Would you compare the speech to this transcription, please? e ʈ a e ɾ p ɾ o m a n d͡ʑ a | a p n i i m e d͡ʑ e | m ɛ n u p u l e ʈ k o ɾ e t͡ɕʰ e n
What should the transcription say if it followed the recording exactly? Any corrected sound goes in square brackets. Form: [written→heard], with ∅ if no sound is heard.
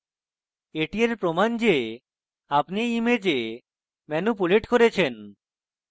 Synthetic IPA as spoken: e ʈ [a→i] e ɾ p ɾ o m a n d͡ʑ [a→e] | a p n i i m e d͡ʑ e | m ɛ n u p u l e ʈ k o ɾ e t͡ɕʰ e n

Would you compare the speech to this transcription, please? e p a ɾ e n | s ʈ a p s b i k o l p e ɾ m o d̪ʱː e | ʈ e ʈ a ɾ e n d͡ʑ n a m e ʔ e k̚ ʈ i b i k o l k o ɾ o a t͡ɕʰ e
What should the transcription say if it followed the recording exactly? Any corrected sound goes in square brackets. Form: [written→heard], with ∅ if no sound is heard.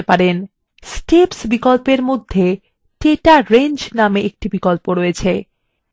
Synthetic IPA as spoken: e p a ɾ e n | s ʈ [a→e] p s b i k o l p e ɾ m o d̪ʱː e | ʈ e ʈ a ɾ e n d͡ʑ n a m e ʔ e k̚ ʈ i b i k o l [k→p] o ɾ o [a→e] t͡ɕʰ e

